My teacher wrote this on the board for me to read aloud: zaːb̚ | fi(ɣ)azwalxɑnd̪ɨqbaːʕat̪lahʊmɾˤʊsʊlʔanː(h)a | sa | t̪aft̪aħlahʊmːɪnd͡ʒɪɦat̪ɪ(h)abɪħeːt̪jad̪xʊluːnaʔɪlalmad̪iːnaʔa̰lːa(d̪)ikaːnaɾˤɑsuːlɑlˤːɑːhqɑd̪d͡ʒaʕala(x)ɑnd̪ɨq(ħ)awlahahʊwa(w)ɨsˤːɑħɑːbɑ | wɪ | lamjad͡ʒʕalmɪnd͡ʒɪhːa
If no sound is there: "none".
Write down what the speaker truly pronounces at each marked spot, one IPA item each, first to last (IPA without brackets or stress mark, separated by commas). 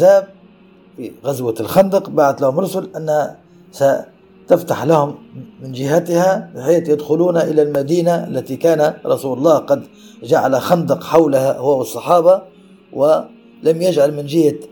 ɣ, h, h, t̪, x, ħ, w